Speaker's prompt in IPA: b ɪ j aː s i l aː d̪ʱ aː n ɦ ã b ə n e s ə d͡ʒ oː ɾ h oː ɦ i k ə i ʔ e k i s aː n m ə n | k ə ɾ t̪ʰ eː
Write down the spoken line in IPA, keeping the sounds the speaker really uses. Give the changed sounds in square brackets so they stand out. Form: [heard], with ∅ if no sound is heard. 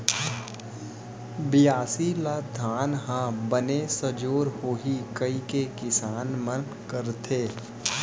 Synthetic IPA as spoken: b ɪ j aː s i l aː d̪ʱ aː n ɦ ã b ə n e s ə d͡ʒ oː ɾ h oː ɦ i k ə i [k] e k [ɪ] s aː n m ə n | k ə ɾ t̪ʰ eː